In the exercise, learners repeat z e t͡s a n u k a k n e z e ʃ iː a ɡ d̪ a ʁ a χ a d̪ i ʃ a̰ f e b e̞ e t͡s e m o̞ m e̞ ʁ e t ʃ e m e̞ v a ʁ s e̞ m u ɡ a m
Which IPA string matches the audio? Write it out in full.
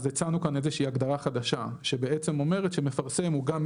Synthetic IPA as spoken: z e t͡s a n u k a n e z e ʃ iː a ɡ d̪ a ʁ a χ a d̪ a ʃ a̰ ʃ e b e̞ e t͡s e m o̞ m e̞ ʁ e t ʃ e m e̞ f a ʁ s e̞ m u ɡ a m